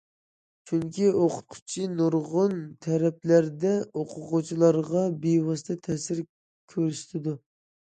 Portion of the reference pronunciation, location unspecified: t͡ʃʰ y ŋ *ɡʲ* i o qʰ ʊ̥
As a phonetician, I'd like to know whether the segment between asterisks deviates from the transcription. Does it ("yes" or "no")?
yes